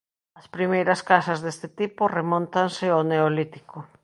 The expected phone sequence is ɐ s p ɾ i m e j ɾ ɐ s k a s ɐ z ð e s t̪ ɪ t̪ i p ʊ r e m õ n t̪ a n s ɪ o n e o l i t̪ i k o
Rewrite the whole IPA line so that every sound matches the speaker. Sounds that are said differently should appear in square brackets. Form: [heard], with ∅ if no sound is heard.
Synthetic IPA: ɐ s p ɾ i m e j ɾ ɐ s k a s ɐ z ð e s t̪ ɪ t̪ i p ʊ r e m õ n t̪ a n s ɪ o n e o l i t̪ i k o